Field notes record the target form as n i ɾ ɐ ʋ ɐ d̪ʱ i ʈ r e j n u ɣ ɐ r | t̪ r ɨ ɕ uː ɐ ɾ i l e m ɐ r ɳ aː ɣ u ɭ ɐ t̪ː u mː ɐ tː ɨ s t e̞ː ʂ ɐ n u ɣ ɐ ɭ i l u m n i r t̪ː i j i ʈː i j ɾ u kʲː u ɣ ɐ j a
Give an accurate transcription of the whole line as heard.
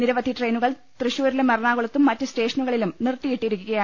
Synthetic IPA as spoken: n i ɾ ɐ ʋ ɐ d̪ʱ i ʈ r e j n u ɣ ɐ ɭ | t̪ r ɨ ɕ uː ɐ ɾ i l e m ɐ r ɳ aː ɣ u ɭ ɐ t̪ː u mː ɐ tː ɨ s t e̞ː ʂ ɐ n u ɣ ɐ ɭ i l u m n i r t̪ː i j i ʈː i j ɾ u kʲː u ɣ ɐ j a